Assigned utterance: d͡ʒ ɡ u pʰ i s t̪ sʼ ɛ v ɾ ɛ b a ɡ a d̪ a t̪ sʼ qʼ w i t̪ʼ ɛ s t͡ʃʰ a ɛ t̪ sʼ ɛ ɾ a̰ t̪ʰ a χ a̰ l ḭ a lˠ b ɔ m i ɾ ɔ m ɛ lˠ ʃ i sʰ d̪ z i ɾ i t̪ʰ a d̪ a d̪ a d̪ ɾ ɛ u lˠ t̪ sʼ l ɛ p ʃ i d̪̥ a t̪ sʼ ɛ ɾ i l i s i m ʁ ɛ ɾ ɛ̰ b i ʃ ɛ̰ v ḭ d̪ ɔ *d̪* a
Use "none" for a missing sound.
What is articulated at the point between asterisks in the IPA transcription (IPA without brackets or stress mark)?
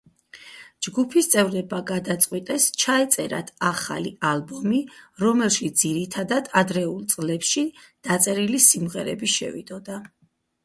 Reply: d̪